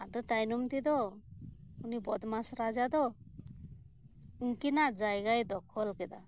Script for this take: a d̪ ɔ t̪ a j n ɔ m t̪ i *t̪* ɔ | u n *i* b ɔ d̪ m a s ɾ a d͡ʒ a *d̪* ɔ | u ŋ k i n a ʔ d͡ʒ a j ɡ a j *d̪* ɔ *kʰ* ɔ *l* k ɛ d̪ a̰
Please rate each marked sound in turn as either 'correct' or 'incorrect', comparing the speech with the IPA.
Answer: incorrect, correct, correct, correct, correct, correct

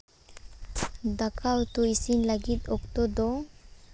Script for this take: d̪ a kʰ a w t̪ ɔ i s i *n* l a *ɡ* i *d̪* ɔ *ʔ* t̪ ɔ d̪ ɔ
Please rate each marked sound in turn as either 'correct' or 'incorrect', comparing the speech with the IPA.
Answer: correct, correct, incorrect, incorrect

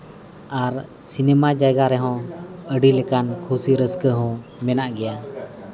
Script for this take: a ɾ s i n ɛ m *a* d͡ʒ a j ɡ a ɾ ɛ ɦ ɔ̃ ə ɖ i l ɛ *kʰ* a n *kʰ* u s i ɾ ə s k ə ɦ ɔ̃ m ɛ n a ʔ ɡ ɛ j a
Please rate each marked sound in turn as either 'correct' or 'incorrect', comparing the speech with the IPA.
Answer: correct, incorrect, correct

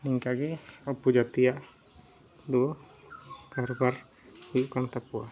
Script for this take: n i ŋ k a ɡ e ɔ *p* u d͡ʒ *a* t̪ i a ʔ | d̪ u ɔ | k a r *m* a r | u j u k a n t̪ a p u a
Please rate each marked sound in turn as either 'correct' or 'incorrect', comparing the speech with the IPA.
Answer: correct, correct, incorrect

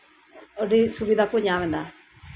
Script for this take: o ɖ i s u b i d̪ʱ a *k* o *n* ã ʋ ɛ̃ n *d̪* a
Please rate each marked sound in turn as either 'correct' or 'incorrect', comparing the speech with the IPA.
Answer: correct, incorrect, correct

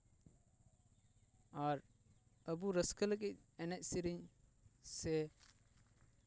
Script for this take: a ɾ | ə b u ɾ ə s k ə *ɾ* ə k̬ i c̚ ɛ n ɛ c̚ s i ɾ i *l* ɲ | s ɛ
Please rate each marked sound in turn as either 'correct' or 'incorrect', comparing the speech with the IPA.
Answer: incorrect, incorrect

